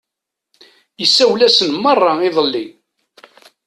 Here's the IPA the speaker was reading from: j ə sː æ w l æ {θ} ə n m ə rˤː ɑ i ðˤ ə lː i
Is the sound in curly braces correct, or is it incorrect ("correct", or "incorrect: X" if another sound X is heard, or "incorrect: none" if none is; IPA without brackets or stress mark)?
incorrect: s